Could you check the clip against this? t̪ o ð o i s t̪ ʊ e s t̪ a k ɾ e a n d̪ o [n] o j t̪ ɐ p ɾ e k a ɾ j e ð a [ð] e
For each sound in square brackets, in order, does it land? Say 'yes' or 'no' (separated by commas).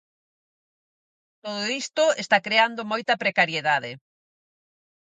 no, yes